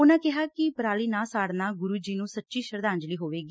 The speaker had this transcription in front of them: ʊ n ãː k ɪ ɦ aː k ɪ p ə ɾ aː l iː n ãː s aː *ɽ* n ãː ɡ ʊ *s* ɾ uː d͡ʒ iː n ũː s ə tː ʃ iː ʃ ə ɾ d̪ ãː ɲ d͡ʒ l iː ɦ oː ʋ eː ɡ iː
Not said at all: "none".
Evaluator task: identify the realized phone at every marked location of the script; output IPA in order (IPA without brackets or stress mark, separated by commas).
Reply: ɽ, none